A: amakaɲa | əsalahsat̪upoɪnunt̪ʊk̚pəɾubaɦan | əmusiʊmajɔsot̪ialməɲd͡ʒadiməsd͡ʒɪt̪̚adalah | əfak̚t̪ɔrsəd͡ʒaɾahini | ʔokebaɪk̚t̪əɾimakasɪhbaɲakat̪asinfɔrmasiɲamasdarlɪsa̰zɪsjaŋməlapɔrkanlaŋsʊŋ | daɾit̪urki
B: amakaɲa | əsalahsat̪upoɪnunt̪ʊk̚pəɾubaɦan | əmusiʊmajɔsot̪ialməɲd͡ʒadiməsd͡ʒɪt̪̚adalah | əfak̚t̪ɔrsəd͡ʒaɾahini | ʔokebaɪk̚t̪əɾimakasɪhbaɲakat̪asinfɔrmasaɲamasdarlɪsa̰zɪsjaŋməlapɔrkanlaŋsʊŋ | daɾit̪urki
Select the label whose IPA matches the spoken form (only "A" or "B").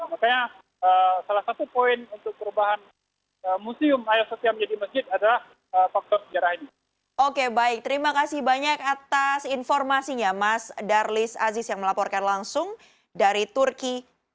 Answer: A